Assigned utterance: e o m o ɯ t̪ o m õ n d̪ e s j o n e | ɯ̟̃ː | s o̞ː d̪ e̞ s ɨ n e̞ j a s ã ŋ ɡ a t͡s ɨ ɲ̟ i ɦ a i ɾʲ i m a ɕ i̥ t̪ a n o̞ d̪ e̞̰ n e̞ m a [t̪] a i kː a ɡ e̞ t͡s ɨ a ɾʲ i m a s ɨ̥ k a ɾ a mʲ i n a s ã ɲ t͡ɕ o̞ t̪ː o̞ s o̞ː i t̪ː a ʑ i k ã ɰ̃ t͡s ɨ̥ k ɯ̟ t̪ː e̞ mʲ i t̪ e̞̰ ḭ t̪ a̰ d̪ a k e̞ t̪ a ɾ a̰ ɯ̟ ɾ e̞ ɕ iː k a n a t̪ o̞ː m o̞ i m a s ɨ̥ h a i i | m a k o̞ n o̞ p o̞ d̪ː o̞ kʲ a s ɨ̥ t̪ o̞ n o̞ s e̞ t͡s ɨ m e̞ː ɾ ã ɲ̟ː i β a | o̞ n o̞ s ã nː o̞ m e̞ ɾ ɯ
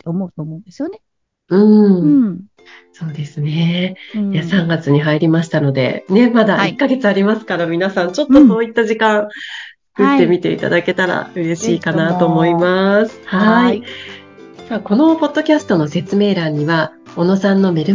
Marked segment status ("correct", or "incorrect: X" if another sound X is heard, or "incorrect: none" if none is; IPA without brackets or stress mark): incorrect: d̪